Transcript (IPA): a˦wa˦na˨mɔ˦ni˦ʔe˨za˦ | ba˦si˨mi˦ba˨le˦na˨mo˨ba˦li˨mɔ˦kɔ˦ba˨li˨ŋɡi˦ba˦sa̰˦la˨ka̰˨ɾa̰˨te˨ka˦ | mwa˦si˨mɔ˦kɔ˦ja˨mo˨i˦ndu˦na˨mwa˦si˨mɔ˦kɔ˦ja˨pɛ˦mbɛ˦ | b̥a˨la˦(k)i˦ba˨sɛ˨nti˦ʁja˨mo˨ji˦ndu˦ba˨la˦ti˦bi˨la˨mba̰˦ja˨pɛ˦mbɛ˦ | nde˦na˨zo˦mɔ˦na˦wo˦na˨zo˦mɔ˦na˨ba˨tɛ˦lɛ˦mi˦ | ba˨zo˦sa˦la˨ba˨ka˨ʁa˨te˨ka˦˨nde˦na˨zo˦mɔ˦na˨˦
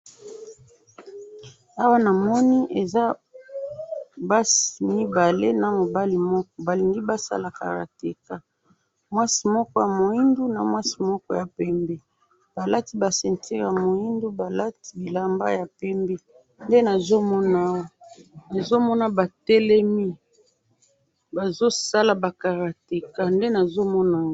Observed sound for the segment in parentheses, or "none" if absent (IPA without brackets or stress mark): t